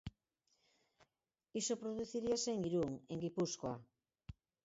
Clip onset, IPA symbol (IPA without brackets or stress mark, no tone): i